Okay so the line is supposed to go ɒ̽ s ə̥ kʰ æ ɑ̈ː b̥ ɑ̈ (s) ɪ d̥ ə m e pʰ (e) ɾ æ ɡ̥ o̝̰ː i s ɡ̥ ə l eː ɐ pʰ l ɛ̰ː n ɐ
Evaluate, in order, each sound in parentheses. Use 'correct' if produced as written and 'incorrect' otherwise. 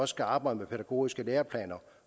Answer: incorrect, correct

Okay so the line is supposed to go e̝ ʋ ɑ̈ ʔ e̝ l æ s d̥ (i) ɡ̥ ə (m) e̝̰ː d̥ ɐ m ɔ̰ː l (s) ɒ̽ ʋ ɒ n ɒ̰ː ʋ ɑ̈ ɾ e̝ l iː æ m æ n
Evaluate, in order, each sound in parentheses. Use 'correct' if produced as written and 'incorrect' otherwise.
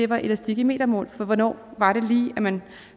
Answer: correct, correct, incorrect

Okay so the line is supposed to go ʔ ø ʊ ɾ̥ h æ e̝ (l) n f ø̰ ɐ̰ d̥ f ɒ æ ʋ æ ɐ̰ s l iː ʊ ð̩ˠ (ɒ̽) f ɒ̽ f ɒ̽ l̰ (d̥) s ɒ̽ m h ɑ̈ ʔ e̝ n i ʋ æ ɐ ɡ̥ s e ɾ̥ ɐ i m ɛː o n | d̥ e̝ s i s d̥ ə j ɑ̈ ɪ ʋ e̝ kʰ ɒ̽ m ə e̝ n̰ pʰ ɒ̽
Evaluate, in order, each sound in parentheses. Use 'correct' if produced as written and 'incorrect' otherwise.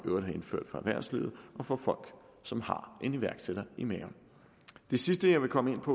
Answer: incorrect, correct, incorrect

